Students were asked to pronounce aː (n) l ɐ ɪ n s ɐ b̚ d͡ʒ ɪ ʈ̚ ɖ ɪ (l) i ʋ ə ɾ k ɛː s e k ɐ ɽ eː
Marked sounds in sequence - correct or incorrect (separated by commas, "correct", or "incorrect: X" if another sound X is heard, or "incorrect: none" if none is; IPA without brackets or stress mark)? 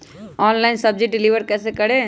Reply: correct, correct